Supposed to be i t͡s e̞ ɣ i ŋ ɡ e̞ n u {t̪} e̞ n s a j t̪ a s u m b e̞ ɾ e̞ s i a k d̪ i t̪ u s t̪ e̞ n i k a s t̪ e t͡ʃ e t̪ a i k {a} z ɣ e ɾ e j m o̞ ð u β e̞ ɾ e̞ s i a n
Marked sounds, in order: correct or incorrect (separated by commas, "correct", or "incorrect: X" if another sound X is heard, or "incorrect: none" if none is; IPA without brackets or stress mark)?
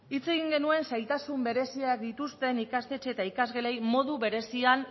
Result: incorrect: none, correct